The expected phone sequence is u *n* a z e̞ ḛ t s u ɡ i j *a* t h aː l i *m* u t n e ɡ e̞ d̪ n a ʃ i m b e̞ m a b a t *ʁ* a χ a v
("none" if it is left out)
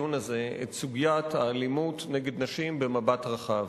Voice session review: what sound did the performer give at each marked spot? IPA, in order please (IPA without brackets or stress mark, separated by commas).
n, a, m, ʁ